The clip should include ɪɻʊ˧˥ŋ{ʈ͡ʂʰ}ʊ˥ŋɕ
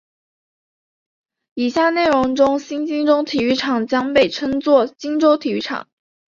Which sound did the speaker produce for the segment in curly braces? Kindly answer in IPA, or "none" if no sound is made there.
ʈ͡ʂ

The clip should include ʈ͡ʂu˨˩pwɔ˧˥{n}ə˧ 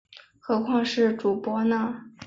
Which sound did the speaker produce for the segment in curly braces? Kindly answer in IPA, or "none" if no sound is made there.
n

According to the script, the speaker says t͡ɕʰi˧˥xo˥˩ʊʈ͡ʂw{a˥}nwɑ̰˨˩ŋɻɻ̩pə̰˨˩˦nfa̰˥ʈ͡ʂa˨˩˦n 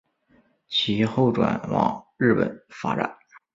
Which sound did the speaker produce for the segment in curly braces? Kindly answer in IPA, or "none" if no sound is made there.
a˨˩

